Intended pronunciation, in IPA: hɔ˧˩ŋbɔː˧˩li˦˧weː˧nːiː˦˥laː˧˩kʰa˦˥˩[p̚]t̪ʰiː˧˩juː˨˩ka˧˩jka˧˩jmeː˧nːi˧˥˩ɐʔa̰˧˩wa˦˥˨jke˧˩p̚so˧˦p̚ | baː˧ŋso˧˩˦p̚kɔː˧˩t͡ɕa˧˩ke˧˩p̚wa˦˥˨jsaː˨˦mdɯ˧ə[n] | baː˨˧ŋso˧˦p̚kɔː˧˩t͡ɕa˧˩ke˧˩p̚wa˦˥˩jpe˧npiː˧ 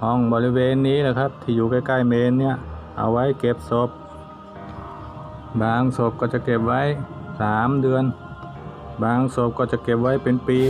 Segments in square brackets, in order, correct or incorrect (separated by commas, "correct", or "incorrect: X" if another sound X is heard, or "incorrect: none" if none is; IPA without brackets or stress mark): correct, correct